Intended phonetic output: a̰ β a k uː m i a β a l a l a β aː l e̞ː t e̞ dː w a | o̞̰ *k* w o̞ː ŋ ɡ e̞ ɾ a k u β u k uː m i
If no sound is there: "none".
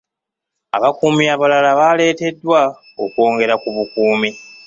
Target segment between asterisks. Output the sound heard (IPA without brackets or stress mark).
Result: k